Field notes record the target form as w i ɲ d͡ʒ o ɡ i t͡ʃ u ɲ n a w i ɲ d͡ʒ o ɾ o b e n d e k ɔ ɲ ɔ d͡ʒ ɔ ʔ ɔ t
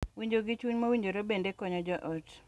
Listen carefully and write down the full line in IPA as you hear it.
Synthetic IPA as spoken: w i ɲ d͡ʒ o ɡ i t͡ʃ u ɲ m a w i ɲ d͡ʒ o ɾ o b e n d e k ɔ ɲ ɔ d͡ʒ ɔ ʔ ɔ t